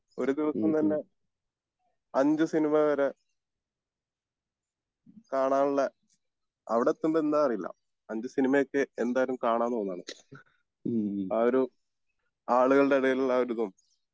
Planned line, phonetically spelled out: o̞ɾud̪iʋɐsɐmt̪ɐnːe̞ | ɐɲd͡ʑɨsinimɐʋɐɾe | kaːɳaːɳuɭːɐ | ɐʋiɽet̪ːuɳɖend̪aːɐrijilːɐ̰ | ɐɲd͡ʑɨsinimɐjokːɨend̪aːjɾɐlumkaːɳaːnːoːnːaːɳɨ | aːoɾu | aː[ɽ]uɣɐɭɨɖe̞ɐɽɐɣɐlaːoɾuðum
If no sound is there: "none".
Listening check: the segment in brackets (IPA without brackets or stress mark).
ɭ